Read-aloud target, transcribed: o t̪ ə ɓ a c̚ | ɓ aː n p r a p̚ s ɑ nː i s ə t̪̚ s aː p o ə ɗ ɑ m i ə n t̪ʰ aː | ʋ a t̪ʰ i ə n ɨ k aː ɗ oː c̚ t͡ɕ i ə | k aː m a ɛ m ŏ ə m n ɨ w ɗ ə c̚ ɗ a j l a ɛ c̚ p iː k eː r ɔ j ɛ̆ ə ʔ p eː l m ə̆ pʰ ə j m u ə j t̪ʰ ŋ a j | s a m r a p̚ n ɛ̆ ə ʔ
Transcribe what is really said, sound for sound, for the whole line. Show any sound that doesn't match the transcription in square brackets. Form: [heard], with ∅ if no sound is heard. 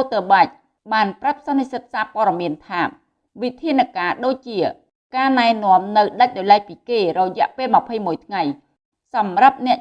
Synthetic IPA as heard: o t̪ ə ɓ a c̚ | ɓ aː n p r a p̚ s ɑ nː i s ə t̪̚ s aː p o ə ɗ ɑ m i ə n t̪ʰ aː | ʋ [i] t̪ʰ i ə n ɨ k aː ɗ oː c̚ t͡ɕ i ə | k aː [n] a ɛ [n] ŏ ə m n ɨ w ɗ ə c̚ ɗ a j l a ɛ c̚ p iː k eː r ɔ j ɛ̆ ə ʔ p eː l m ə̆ pʰ ə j m u ə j t̪ʰ ŋ a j | s [ɑ] m r a p̚ n ɛ̆ ə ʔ